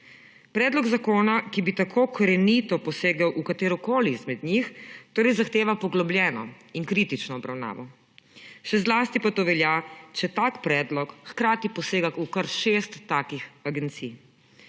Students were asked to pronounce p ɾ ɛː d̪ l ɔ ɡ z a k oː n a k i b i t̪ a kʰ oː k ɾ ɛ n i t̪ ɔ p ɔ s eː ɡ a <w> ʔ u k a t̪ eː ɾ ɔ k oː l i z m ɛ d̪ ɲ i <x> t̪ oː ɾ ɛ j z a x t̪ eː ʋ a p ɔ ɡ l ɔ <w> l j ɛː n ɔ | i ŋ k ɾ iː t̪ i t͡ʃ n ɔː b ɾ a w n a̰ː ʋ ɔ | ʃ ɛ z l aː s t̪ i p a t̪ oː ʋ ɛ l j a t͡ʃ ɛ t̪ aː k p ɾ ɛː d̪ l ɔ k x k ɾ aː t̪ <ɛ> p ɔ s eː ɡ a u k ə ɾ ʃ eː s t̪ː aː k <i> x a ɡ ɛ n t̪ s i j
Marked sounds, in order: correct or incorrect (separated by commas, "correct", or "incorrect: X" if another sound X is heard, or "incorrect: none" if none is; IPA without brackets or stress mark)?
correct, correct, incorrect: b, incorrect: i, correct